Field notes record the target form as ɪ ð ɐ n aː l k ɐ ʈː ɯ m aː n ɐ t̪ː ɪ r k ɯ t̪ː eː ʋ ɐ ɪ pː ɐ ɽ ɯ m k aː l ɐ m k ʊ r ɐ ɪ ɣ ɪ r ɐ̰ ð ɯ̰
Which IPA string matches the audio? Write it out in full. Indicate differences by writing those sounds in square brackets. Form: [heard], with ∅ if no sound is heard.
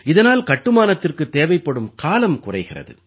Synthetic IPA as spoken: ɪ ð ɐ n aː l k ɐ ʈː ɯ m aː n ɐ t̪ː ɪ r k ɯ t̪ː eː ʋ ɐ ɪ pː ɐ ɽ ɯ m k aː l ɐ m k ʊ r ɐ ɪ ɣ ɪ r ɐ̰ ð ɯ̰